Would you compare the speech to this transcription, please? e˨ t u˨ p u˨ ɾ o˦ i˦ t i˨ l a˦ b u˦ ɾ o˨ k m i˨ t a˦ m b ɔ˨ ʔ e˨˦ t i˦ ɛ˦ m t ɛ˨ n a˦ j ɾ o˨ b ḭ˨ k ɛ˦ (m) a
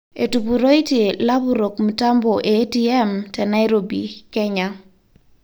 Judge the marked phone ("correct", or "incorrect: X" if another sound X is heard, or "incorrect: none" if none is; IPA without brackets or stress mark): incorrect: ɲ